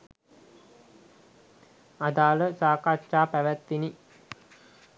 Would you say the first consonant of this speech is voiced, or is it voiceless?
voiced